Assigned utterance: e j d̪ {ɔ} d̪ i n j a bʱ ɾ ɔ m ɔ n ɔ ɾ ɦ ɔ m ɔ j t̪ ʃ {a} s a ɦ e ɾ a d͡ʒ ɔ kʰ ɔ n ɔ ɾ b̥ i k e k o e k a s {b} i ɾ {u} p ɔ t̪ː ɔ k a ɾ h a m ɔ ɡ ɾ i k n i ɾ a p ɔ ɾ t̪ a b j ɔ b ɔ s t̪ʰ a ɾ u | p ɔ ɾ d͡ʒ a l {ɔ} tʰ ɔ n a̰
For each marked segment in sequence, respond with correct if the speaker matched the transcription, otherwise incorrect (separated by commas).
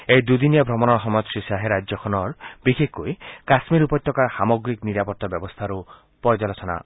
incorrect, incorrect, incorrect, correct, correct